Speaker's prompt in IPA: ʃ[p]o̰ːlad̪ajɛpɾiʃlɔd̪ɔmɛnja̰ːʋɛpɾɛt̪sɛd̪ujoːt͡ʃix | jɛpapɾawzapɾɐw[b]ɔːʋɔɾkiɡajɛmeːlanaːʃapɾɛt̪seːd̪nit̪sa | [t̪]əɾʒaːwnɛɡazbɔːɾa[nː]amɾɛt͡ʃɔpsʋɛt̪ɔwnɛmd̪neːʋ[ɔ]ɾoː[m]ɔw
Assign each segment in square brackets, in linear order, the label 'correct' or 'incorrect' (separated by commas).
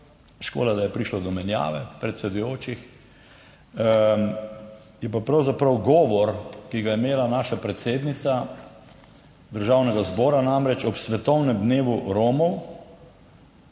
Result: incorrect, incorrect, incorrect, incorrect, incorrect, correct